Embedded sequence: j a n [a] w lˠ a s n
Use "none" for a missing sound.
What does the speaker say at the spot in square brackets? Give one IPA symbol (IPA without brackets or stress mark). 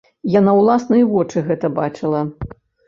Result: a